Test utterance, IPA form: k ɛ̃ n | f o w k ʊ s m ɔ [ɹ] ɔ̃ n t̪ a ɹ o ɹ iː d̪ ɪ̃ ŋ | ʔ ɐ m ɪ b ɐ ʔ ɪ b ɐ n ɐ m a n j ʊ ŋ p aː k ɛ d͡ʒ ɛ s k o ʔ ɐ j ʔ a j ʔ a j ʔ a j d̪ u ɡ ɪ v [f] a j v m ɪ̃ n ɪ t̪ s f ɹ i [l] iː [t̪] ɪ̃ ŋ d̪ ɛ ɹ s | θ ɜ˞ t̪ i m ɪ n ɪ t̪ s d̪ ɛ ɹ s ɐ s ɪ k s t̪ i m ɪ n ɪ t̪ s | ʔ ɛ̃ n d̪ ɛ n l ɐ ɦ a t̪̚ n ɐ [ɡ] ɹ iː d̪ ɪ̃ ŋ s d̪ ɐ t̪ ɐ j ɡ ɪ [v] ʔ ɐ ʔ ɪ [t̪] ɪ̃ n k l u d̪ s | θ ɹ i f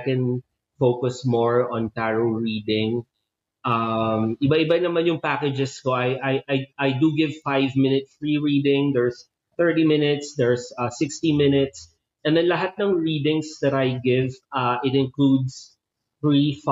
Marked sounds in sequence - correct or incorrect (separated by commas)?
correct, correct, incorrect, incorrect, incorrect, correct, correct